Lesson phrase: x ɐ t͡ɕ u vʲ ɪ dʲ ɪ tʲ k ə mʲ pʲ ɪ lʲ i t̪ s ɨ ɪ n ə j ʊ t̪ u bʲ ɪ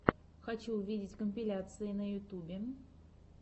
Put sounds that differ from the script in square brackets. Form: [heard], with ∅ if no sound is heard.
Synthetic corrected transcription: x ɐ t͡ɕ u vʲ [i] dʲ ɪ tʲ k ə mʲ pʲ ɪ lʲ [a] t̪ s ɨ ɪ n ə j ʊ t̪ u bʲ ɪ